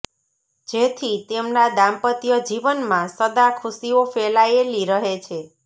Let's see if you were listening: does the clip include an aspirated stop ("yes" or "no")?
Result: yes